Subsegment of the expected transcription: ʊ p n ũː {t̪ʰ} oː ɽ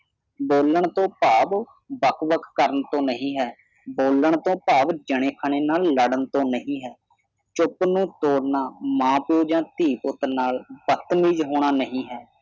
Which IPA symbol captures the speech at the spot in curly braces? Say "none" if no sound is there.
t̪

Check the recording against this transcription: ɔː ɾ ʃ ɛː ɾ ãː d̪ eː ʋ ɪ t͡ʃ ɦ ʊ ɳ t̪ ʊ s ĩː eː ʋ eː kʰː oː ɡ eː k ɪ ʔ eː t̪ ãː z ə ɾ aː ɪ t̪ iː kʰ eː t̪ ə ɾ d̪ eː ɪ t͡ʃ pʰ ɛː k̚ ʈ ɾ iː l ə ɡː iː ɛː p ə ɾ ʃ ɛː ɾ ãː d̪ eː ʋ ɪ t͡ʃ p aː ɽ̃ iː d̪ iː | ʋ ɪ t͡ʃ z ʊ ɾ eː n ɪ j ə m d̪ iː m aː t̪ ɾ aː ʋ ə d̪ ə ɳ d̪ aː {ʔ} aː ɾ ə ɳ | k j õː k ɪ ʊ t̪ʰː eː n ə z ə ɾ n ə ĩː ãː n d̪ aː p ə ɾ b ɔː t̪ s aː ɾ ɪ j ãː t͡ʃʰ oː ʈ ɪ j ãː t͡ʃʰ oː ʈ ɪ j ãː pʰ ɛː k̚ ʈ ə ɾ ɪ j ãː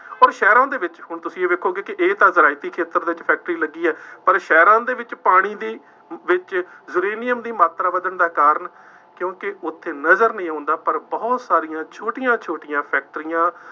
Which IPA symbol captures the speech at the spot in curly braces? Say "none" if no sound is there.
k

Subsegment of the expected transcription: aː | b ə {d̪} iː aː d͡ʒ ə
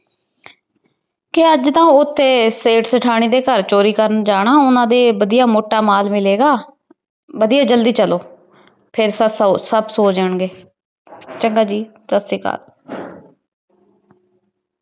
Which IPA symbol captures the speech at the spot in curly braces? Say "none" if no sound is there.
d̪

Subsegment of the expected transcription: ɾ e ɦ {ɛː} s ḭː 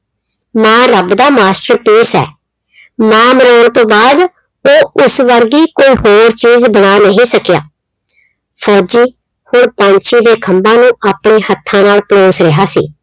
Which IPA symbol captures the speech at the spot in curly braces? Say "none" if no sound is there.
aː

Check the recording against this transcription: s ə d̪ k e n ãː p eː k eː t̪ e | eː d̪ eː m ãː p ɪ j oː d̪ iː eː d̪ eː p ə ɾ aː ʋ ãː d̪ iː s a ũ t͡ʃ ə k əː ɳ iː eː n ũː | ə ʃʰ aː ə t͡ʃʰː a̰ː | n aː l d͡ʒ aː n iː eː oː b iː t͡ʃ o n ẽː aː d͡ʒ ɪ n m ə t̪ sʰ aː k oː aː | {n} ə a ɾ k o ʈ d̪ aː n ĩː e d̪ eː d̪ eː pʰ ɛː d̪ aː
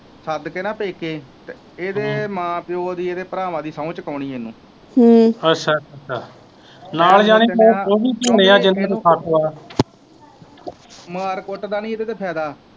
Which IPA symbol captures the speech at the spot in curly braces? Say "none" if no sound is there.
m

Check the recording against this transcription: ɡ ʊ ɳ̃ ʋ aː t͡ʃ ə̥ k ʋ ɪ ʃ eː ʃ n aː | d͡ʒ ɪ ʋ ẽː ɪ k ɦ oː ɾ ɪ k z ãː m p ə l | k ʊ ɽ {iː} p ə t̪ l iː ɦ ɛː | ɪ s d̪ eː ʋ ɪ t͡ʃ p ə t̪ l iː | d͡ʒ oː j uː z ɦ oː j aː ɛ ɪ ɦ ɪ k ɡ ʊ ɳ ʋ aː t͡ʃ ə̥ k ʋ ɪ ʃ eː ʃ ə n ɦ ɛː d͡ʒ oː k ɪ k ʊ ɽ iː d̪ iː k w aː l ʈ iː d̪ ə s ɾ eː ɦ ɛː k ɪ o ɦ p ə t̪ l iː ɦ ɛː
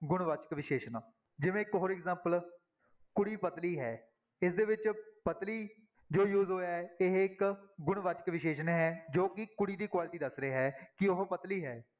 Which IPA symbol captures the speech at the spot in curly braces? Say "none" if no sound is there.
iː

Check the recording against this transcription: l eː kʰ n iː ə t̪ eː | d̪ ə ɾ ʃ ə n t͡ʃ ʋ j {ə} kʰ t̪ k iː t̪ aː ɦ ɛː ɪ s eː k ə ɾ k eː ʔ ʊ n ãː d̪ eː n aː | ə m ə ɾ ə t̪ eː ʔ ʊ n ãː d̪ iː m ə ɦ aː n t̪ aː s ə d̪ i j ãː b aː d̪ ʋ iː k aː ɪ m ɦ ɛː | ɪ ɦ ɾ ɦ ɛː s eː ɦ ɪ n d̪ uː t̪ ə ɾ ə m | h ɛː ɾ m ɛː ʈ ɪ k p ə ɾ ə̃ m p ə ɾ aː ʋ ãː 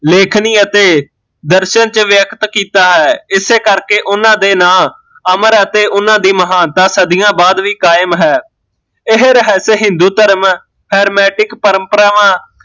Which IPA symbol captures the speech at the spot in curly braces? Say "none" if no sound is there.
ə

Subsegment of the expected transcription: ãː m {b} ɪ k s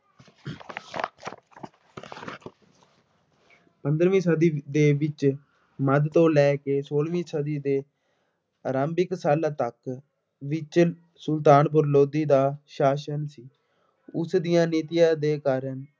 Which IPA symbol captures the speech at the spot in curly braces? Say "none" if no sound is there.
b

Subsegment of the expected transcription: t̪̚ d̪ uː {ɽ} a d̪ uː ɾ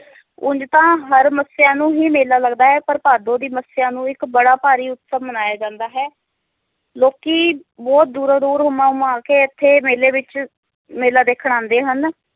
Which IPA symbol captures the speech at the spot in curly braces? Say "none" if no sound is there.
ɾ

